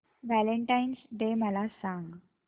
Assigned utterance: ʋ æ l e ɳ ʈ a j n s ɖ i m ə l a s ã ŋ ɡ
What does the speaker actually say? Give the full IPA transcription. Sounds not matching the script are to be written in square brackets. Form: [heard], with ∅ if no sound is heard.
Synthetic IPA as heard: ʋ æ l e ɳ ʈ a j n s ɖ [e] m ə l a s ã ŋ ɡ